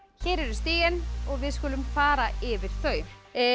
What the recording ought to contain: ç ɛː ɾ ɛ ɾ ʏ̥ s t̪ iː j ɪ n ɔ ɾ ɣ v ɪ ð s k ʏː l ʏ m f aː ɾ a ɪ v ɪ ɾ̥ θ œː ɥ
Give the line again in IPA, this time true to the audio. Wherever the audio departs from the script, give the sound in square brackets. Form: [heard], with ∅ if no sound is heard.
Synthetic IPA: ç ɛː ɾ ɛ ɾ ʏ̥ s t̪ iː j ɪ n ɔ [∅] ɣ v ɪ ð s k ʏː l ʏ m f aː ɾ a ɪ v ɪ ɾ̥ θ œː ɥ